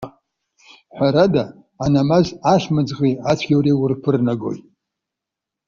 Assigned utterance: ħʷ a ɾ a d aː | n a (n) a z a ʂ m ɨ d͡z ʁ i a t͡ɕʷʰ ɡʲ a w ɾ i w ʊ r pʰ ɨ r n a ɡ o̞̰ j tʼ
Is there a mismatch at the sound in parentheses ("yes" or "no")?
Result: yes